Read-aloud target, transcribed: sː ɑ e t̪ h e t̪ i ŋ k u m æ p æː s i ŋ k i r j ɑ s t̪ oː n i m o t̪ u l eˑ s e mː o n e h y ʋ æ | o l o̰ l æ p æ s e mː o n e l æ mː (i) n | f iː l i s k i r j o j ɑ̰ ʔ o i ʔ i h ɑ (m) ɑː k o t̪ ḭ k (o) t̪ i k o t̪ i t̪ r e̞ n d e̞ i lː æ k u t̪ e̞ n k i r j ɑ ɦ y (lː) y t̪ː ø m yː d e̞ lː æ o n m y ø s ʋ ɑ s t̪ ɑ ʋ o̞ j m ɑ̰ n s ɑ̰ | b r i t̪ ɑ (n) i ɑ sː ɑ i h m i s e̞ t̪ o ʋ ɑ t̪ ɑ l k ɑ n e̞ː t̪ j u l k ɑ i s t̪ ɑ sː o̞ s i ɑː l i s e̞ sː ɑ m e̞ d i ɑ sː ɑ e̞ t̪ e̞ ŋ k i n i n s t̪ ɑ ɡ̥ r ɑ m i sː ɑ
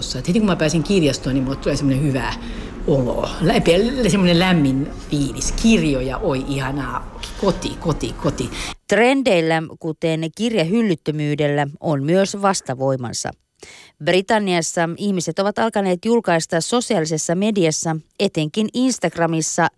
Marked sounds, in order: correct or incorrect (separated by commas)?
correct, incorrect, correct, correct, incorrect